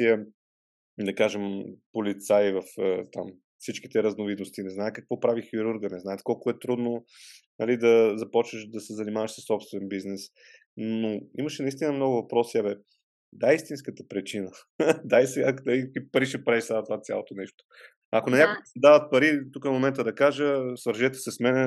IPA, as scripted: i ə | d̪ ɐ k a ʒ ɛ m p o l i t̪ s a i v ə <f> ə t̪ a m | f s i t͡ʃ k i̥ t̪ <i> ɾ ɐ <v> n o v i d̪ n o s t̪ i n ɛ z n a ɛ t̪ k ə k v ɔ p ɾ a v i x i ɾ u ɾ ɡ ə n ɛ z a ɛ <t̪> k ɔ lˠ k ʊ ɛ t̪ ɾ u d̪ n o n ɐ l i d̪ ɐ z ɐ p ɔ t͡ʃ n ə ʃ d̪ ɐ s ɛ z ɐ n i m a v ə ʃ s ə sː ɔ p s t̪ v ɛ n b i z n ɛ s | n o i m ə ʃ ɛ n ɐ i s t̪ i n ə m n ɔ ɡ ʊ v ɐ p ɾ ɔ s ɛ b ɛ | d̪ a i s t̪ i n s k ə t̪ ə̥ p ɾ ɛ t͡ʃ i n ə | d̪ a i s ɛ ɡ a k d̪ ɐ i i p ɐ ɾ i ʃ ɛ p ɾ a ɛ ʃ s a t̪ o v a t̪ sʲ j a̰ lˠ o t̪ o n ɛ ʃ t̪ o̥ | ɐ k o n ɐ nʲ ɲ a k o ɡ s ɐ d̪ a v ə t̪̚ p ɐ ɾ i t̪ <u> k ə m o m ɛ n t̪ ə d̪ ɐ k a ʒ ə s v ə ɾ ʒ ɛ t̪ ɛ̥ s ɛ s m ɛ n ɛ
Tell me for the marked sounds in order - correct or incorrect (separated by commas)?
correct, incorrect, incorrect, correct, correct